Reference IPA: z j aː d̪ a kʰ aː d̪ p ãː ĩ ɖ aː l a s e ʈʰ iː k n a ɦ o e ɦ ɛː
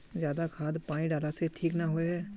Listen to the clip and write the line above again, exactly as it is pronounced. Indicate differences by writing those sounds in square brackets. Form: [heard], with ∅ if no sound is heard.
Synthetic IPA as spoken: z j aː d̪ a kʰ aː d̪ p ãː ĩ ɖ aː l a s e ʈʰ iː k n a ɦ o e ɦ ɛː